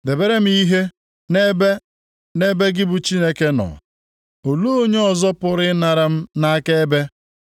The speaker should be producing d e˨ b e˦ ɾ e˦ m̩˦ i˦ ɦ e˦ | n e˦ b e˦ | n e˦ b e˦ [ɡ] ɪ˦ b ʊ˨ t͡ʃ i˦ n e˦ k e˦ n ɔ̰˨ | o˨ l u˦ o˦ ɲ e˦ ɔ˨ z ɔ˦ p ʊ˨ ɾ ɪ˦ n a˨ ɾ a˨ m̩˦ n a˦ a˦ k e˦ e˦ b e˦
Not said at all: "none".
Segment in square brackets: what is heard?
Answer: ɡ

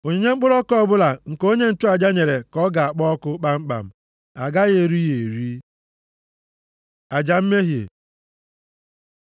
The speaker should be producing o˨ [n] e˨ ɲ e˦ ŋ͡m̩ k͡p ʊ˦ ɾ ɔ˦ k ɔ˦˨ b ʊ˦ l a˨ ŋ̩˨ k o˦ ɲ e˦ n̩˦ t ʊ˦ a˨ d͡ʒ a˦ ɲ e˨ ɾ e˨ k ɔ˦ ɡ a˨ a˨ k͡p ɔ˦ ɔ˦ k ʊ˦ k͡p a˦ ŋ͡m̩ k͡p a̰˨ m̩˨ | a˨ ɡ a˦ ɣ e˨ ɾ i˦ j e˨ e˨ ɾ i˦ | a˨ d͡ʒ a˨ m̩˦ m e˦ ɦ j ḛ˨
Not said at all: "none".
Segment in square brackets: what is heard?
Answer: ɲ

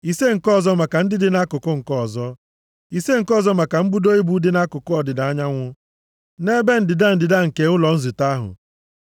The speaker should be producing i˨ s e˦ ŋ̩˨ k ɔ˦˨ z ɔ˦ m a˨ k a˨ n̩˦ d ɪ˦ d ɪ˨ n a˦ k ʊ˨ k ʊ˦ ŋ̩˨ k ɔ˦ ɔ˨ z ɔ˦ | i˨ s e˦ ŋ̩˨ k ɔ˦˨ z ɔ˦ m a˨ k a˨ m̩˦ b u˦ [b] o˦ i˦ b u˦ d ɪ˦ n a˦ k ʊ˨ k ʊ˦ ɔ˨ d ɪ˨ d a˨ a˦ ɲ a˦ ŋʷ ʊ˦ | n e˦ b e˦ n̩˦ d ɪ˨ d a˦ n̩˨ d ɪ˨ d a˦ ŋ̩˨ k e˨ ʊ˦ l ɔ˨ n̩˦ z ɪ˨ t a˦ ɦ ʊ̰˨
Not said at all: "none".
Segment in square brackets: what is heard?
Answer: d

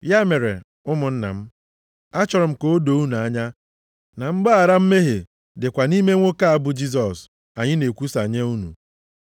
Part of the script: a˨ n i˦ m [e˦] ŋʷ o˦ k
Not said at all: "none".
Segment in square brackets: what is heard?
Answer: e˦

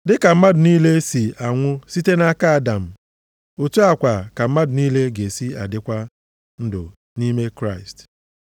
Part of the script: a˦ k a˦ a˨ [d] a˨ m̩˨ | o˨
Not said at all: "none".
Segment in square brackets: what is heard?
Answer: d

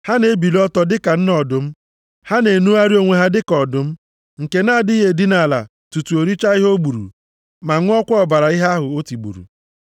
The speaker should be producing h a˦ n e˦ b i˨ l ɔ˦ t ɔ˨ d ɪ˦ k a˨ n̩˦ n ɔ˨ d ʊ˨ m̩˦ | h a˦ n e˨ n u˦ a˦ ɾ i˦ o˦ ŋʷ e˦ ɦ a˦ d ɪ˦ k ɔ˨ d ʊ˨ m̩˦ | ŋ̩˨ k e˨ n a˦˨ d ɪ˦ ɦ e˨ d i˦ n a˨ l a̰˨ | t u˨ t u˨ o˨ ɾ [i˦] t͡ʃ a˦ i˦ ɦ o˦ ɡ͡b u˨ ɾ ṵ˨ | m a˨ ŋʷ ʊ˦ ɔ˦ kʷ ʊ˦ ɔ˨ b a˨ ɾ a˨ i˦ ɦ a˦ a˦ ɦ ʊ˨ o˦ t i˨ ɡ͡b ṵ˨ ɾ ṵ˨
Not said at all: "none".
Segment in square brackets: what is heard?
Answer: i˦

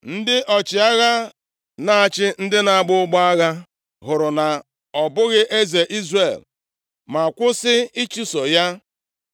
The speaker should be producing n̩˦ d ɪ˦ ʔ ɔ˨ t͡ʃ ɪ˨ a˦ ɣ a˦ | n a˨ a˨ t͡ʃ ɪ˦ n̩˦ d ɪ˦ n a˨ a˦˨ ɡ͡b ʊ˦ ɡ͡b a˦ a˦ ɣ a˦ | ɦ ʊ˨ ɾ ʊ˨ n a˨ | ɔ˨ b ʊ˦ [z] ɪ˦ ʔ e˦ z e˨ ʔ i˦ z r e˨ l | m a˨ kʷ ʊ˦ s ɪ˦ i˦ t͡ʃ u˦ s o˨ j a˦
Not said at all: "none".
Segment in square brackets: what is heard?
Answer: ɣ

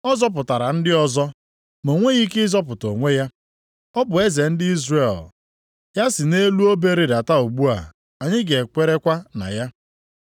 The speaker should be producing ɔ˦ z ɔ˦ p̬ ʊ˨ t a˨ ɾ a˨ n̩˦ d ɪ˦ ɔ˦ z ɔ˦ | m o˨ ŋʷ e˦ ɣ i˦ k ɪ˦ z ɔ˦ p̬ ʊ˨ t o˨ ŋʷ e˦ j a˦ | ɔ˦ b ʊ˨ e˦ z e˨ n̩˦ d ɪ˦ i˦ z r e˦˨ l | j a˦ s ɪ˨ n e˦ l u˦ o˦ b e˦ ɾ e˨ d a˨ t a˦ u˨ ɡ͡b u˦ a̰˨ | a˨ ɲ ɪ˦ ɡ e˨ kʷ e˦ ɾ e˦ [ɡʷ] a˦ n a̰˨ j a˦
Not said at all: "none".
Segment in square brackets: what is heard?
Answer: kʷ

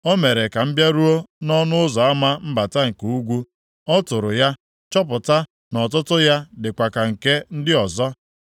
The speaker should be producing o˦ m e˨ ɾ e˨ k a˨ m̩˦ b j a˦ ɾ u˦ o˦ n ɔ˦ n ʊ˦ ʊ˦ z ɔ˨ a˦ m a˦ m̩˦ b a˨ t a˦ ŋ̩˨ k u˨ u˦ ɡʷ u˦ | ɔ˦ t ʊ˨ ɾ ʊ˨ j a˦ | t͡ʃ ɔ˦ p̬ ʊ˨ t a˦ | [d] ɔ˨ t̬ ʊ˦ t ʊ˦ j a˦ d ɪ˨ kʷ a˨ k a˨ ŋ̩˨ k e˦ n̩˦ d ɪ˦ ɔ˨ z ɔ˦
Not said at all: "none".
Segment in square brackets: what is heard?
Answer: n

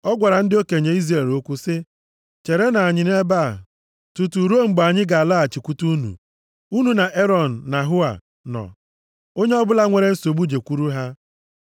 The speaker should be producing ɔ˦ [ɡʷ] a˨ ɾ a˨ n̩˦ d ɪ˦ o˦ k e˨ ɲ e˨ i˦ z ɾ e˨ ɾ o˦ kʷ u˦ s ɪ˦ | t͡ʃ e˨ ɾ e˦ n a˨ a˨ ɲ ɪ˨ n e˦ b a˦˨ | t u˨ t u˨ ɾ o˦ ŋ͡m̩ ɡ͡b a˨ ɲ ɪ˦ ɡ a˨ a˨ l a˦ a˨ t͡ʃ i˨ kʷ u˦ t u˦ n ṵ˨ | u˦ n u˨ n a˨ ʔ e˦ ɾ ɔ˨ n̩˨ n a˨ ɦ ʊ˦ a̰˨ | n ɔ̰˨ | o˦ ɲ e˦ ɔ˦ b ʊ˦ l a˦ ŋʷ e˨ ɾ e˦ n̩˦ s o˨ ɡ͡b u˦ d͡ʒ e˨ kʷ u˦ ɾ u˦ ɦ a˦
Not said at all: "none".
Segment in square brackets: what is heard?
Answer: ɡʷ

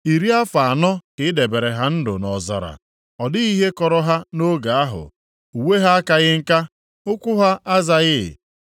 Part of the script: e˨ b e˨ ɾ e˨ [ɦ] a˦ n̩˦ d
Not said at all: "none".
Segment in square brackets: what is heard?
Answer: ɦ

